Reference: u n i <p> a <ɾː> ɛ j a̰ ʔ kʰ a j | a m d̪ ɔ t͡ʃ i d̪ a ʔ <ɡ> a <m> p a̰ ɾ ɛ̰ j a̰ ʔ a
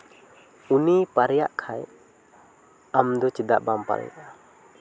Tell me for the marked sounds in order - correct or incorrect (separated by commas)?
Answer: correct, incorrect, incorrect, correct